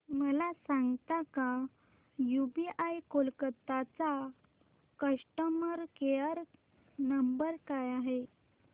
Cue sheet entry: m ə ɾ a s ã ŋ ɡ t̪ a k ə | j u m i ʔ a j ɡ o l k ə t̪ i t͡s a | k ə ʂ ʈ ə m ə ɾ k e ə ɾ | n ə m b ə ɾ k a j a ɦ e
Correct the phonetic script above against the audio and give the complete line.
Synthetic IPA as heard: m ə l a s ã ŋ ɡ t̪ a k a | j u b i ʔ a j k o l k ə t̪ a t͡s a | k ə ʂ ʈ ə m ə ɾ k e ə ɾ | n ə m b ə ɾ k a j a ɦ e